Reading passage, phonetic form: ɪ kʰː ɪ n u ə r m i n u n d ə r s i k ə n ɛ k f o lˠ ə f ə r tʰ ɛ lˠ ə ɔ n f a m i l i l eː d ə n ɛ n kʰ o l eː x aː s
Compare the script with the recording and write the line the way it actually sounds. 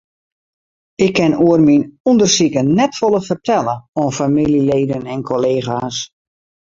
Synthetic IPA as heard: ɪ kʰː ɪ n u ə r m i n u n d ə r s i k ə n ɛ t f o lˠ ə f ə r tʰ ɛ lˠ ə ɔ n f a m i l i l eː d ə n ɛ n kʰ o l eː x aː s